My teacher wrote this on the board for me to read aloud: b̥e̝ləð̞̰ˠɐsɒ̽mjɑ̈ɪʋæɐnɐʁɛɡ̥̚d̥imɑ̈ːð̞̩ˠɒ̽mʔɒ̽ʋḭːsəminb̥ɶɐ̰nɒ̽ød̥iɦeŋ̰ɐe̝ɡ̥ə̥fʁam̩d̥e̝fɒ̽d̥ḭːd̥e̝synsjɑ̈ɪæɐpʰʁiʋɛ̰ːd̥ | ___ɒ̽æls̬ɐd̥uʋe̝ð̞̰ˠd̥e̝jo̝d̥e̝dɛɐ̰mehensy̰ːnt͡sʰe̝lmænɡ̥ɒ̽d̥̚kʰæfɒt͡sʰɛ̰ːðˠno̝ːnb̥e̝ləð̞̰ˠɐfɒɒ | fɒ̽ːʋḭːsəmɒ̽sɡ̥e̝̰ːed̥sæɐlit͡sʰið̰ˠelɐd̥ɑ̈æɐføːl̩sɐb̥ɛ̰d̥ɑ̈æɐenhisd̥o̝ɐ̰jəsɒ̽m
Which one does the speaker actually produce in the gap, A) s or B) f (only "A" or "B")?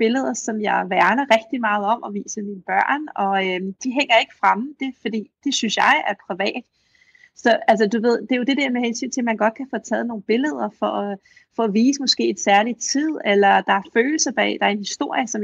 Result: A